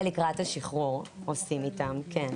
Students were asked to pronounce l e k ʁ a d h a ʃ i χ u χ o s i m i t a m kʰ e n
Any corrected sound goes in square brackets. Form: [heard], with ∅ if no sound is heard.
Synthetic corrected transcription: l [i] k ʁ a [t] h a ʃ i χ u [ʁ] o s i m i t a m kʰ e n